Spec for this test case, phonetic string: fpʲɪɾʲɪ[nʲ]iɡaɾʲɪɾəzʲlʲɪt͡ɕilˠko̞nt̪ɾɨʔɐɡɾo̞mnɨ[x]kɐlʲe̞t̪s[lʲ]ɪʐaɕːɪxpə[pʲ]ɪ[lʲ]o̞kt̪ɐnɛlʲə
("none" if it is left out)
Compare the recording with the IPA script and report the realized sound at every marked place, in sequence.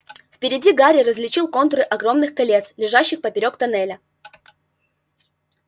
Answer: dʲ, x, lʲ, pʲ, ɾʲ

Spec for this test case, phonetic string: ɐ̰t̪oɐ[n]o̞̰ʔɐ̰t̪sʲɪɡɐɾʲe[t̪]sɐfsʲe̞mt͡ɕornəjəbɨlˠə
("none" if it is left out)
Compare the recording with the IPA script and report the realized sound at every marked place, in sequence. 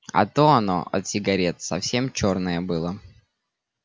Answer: n, t̪

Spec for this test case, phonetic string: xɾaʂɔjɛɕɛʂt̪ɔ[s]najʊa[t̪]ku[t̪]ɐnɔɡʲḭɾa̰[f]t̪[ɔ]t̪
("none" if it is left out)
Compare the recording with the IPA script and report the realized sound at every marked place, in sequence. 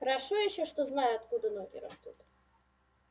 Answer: z, t̪, d̪, s, u

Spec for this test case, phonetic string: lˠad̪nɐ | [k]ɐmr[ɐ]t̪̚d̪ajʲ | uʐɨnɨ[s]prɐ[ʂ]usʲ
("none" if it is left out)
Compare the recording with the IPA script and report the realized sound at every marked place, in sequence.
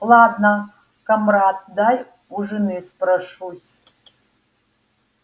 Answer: k, a, s, ʂ

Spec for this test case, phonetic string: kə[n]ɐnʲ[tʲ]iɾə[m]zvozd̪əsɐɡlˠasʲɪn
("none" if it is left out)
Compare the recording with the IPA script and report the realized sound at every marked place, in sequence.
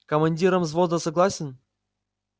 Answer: m, dʲ, m

